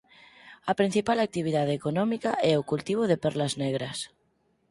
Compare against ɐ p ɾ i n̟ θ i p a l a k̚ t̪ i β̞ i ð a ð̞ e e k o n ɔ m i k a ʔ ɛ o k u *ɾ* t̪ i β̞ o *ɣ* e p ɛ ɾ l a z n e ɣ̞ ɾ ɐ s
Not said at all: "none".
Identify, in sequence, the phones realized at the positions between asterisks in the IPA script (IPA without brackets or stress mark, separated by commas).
l, ð